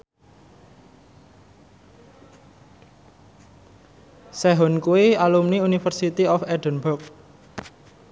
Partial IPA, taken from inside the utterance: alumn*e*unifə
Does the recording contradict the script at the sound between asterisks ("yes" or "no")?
yes